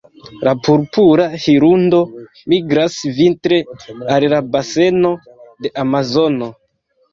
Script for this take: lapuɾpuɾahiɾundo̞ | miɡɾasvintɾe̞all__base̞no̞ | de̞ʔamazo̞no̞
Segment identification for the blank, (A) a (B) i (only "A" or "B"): A